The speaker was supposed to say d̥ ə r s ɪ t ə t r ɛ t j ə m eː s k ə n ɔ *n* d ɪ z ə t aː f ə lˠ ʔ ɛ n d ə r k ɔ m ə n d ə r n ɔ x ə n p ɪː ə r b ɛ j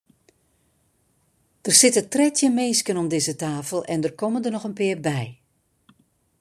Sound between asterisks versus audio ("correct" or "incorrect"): incorrect